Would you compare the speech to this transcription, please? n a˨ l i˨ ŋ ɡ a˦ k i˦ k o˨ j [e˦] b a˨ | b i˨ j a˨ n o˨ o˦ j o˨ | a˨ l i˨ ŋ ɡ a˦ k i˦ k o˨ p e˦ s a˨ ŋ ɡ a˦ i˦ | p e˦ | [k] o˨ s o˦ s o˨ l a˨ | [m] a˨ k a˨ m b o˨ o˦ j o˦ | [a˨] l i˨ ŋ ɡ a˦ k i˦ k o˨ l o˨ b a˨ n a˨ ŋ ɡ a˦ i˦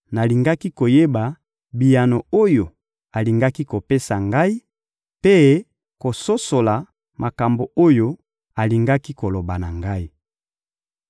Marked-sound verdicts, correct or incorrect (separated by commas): correct, correct, correct, correct